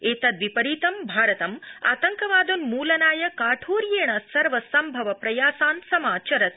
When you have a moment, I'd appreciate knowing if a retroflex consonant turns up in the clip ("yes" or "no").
yes